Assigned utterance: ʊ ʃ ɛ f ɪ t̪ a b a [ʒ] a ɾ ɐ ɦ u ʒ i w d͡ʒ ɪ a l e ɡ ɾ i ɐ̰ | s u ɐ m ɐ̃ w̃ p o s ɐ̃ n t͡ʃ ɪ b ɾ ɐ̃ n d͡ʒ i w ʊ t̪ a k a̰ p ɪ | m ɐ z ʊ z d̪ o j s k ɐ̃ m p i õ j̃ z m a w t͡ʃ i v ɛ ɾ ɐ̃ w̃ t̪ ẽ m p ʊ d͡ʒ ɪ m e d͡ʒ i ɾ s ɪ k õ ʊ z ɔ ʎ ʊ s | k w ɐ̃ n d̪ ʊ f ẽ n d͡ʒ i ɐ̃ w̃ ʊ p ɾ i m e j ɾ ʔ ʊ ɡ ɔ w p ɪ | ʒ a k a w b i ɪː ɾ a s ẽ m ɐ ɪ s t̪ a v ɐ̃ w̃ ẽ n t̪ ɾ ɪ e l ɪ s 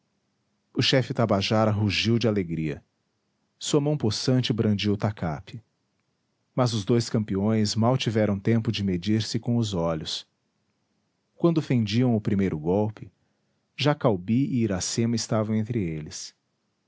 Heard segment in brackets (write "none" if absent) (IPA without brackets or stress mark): ʒ